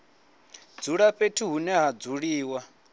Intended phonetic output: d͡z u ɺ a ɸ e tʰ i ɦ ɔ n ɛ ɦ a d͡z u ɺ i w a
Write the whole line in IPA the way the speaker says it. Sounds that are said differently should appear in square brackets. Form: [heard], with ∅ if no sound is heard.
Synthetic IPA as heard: d͡z u ɺ a ɸ e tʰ i ɦ [u] n ɛ ɦ a d͡z u ɺ [iː] w a

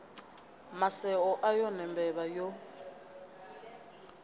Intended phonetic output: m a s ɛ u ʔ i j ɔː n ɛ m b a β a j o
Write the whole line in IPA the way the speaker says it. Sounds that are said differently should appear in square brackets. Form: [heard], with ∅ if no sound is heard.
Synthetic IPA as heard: m a s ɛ [ɔ] ʔ [a] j [ɔ] n ɛ m b [ɛ] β a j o

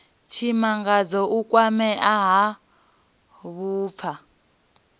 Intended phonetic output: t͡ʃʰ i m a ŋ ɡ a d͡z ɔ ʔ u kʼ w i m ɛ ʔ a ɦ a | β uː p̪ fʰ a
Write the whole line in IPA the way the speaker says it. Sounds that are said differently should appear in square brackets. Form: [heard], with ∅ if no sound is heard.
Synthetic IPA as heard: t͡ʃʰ i m a ŋ ɡ a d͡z ɔ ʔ u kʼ w [a] m ɛ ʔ a ɦ a | β uː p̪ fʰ a

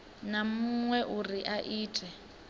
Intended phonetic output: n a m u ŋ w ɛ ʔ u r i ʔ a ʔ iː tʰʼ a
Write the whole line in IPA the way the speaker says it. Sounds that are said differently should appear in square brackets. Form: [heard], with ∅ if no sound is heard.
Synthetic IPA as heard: n a m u ŋ w ɛ ʔ u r i ʔ a ʔ iː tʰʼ [ɛ]

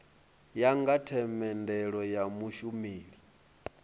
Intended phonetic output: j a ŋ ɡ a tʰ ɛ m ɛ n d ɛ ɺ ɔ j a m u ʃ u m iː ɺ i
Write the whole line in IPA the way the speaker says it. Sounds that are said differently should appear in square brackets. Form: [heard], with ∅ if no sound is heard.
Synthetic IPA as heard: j a ŋ ɡ a tʰ ɛ m ɛ n d ɛ ɺ ɔ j a m u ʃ u m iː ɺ i

